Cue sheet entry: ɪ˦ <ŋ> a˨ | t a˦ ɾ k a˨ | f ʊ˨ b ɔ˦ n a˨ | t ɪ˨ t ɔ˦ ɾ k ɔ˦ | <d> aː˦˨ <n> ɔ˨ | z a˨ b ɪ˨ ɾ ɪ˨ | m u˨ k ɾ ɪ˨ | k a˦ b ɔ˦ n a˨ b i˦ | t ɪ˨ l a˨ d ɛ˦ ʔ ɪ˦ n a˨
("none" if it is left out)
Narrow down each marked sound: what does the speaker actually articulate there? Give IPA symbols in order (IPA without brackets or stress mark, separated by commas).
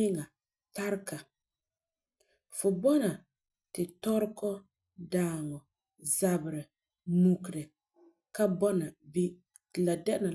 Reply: ŋ, d, ŋ